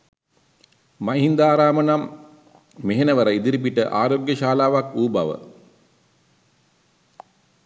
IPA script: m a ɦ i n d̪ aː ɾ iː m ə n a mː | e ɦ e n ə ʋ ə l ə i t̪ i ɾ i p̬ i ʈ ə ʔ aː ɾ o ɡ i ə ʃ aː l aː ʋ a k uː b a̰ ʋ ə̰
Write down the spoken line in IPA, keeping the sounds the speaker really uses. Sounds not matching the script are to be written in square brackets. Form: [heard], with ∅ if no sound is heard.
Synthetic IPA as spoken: m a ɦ i n d̪ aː ɾ [aː] m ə n a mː | e ɦ e n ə ʋ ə [ɾ] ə i [d̪] i ɾ i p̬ i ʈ ə ʔ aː ɾ o ɡ [j] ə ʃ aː l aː ʋ a k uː b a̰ ʋ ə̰